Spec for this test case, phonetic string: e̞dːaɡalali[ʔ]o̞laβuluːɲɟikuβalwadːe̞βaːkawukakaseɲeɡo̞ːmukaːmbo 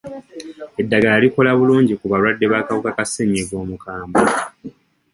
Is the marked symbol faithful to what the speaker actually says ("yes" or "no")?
no